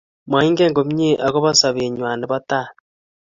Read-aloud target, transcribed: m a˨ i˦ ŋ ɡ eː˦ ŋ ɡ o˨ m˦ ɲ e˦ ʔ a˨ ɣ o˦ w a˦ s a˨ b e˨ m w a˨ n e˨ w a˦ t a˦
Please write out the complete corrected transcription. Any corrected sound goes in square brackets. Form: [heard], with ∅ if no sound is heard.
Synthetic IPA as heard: m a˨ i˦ ŋ ɡ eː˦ ŋ ɡ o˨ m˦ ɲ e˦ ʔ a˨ ɣ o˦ [β] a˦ s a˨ [β] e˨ [ɲ] w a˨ n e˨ [β] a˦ t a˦